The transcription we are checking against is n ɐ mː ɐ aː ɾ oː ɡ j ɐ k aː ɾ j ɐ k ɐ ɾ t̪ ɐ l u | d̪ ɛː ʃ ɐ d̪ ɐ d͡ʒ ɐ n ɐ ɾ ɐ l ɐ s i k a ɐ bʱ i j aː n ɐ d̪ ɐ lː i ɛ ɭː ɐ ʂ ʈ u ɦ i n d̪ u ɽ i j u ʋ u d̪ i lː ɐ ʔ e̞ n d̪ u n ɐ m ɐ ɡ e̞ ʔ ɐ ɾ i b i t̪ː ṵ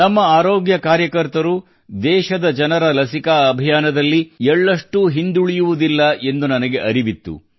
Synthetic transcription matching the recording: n ɐ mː ɐ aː ɾ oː ɡ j ɐ k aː ɾ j ɐ k ɐ ɾ t̪ ɐ ɾ u | d̪ ɛː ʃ ɐ d̪ ɐ d͡ʒ ɐ n ɐ ɾ ɐ l ɐ s i k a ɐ bʱ i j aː n ɐ d̪ ɐ lː i ɛ ɭː ɐ ʂ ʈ u ɦ i n d̪ u ɭ i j u ʋ u d̪ i lː ɐ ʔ e̞ n d̪ u n ɐ n ɐ ɡ e̞ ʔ ɐ ɾ i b i t̪ː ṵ